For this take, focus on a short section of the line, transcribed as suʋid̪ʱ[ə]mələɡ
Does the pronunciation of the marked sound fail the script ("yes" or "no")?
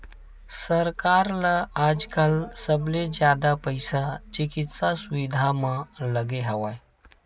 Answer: yes